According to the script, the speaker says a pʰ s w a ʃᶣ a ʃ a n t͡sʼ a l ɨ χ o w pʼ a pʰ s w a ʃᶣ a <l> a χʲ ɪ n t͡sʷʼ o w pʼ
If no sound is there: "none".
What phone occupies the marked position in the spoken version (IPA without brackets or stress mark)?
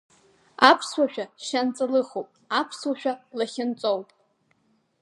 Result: l